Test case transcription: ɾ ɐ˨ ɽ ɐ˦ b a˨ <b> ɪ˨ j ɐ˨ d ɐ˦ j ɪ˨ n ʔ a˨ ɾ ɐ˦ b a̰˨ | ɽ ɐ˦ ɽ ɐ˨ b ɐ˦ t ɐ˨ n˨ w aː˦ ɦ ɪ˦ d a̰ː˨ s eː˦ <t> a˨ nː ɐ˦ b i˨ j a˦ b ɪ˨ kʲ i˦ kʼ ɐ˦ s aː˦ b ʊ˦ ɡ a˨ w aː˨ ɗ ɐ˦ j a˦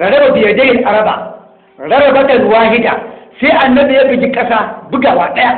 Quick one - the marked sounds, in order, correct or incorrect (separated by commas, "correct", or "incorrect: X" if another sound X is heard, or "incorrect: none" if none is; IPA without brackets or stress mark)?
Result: correct, incorrect: ʔ